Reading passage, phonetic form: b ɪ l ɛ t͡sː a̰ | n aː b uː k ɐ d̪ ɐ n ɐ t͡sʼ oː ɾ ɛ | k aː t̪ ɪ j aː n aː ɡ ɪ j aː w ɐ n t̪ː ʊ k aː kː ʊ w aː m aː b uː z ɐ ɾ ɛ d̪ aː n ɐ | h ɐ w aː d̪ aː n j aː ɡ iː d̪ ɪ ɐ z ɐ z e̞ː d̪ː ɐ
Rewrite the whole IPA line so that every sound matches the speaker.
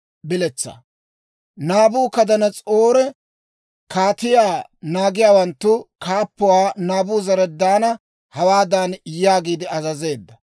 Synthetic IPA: b ɪ l ɛ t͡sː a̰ | n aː b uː k ɐ d̪ ɐ n ɐ t͡sʼ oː ɾ ɛ | k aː t̪ ɪ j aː n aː ɡ ɪ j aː w ɐ n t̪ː ʊ k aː pː ʊ w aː n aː b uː z ɐ ɾ ɛ d̪ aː n ɐ | h ɐ w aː d̪ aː n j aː ɡ iː d̪ ɪ ɐ z ɐ z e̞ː d̪ː ɐ